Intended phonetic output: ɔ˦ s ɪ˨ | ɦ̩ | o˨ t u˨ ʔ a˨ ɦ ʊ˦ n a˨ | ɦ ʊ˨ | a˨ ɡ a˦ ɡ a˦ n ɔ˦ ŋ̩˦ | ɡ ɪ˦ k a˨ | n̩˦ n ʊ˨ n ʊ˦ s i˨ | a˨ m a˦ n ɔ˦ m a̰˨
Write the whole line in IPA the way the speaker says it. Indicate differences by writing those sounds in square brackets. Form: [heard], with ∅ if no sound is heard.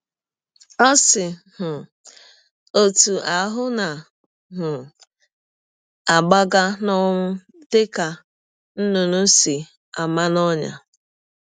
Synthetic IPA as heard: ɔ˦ s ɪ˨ | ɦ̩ | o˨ t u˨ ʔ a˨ ɦ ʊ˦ n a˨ | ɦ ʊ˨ | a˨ [ɡ͡b] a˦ ɡ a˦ n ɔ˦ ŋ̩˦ | [d] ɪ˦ k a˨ | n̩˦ n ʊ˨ n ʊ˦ s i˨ | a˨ m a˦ n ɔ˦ [ɲ] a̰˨